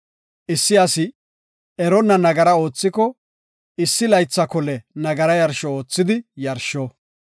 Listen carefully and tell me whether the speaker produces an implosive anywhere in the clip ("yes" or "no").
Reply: no